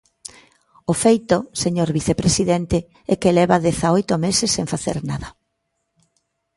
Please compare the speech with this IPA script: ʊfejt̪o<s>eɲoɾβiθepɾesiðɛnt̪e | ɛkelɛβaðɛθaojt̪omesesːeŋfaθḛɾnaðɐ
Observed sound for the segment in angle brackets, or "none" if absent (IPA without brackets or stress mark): s